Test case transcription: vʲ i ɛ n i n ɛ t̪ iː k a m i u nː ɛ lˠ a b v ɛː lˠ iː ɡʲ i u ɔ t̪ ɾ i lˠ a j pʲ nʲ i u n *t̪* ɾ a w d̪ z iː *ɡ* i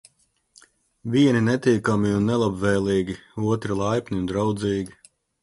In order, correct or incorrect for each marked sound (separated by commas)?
incorrect, correct